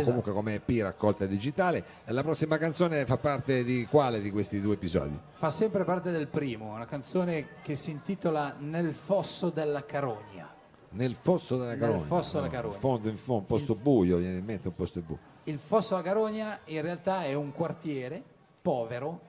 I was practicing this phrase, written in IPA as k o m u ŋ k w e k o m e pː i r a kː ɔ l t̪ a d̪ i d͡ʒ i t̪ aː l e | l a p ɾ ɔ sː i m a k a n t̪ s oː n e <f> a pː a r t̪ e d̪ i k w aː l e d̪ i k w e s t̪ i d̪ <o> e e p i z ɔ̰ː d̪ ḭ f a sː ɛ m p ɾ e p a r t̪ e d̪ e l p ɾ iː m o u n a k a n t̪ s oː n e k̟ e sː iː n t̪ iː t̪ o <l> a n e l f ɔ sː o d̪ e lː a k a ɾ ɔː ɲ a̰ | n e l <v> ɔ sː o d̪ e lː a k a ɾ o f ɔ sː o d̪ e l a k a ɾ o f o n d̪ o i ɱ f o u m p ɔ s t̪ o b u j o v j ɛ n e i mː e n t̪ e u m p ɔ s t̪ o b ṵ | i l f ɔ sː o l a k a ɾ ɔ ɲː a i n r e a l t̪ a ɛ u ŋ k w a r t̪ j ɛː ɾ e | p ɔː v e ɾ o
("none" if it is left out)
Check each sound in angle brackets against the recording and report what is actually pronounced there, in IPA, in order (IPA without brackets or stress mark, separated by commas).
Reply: f, u, l, f